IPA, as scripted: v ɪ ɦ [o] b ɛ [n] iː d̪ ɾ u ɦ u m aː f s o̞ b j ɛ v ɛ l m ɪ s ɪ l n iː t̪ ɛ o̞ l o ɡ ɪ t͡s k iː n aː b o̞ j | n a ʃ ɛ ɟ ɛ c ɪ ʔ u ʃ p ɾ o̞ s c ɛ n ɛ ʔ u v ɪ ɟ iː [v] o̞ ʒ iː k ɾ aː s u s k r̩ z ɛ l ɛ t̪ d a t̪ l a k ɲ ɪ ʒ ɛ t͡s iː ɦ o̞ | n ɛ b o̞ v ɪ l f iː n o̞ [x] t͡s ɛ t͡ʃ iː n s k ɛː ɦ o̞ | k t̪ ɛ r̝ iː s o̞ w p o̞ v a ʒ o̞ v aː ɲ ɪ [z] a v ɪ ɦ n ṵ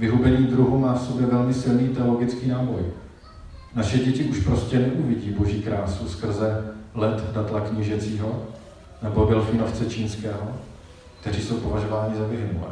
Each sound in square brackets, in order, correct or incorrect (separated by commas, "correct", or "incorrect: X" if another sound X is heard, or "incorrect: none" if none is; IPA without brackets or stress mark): incorrect: u, incorrect: ɲ, incorrect: b, incorrect: f, correct